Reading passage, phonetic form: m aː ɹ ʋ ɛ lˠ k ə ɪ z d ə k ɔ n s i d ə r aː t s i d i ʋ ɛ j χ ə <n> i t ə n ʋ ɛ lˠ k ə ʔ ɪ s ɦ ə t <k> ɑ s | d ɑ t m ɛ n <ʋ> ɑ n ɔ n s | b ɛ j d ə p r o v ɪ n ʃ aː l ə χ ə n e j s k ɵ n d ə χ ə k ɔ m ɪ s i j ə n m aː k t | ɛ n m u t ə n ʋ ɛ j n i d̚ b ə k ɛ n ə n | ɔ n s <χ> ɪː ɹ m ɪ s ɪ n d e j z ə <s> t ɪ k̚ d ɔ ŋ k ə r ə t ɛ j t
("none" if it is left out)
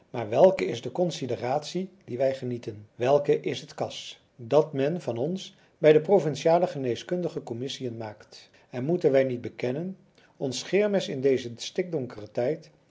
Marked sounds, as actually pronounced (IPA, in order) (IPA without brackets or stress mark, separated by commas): n, k, v, χ, s